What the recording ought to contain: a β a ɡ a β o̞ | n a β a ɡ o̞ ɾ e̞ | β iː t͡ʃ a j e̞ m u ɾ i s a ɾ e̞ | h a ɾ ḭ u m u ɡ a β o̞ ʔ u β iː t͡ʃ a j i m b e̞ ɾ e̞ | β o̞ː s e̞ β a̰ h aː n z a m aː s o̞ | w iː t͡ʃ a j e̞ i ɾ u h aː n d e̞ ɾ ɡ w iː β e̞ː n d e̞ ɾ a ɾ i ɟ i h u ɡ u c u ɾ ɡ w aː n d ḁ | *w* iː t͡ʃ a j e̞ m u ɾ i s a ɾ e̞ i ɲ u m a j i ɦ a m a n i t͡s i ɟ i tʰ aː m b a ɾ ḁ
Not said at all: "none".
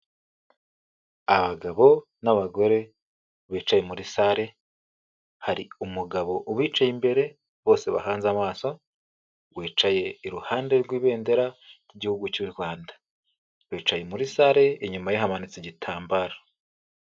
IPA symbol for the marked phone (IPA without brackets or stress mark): β